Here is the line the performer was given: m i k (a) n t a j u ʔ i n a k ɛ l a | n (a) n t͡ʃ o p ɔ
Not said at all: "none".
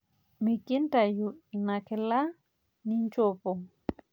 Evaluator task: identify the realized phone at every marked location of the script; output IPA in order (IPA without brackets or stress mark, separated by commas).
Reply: i, i